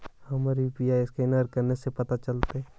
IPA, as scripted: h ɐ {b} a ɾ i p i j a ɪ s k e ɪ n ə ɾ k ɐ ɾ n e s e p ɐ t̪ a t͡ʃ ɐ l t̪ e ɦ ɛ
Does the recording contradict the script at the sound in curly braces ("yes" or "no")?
yes